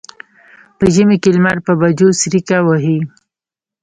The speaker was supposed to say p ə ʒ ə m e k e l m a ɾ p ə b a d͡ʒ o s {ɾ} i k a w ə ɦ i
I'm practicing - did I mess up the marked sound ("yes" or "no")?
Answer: no